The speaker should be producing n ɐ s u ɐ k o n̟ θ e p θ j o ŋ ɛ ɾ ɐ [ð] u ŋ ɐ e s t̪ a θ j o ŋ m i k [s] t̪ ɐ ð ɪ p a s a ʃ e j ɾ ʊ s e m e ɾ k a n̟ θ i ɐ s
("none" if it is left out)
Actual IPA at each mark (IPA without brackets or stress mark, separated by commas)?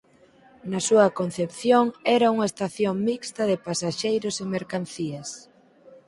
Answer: none, s